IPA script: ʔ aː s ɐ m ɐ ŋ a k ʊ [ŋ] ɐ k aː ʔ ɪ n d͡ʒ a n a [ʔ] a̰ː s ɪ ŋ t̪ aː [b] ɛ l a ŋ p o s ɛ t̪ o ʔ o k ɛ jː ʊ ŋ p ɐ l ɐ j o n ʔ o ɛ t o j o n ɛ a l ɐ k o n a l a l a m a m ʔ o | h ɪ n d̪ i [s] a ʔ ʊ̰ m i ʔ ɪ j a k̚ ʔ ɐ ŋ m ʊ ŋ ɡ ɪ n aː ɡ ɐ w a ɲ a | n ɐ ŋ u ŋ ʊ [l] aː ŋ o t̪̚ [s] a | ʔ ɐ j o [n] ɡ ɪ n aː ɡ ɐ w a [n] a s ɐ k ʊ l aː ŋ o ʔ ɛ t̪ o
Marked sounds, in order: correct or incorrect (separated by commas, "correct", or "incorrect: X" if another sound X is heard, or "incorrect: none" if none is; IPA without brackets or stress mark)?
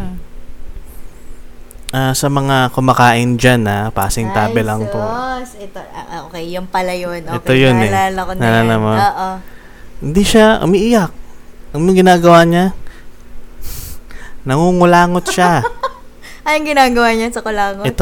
incorrect: m, incorrect: p, correct, incorrect: ʃ, correct, incorrect: ʃ, incorrect: ŋ, incorrect: ɲ